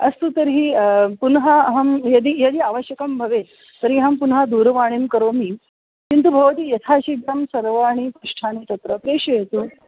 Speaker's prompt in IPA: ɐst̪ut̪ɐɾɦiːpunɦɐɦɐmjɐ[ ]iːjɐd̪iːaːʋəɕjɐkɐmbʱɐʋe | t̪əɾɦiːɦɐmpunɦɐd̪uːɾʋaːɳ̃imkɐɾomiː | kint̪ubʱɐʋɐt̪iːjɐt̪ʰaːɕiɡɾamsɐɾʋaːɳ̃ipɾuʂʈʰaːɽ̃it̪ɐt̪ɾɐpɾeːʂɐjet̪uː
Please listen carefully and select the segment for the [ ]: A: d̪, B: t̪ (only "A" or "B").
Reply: A